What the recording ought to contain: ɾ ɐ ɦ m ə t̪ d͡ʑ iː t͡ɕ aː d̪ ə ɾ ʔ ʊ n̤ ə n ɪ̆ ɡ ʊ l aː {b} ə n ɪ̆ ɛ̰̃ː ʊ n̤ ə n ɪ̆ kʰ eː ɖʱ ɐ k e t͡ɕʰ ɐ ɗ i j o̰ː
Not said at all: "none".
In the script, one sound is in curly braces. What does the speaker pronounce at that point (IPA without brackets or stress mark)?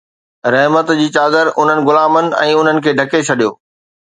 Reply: m